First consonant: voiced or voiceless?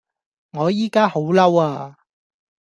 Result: voiced